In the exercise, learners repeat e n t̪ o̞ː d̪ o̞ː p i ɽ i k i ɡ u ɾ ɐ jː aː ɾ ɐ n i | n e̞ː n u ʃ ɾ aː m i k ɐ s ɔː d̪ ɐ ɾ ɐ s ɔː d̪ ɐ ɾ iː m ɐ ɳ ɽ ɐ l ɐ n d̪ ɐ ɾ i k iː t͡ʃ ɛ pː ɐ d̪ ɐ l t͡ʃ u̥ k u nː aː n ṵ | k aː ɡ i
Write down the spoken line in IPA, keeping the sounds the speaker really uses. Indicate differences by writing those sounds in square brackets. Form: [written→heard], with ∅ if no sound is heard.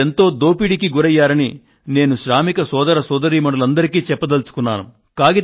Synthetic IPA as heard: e n t̪ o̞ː d̪ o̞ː p i ɽ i k i ɡ u ɾ ɐ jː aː ɾ ɐ n i | n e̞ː n u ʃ ɾ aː m i k ɐ s ɔː d̪ ɐ ɾ ɐ s ɔː d̪ ɐ ɾ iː m ɐ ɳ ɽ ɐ l ɐ n d̪ ɐ ɾ i k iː t͡ʃ ɛ pː ɐ d̪ ɐ l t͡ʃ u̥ k u nː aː n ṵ | k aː ɡ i